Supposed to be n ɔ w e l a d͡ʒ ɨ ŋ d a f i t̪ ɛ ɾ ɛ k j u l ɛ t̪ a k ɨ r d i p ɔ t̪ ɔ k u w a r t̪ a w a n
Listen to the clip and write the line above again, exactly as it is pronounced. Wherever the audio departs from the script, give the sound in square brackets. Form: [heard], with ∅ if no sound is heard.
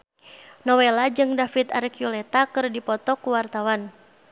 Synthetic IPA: n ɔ w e l a d͡ʒ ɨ ŋ d a f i t̪ [a] ɾ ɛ k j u l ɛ t̪ a k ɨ r d i p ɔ t̪ ɔ k u w a r t̪ a w a n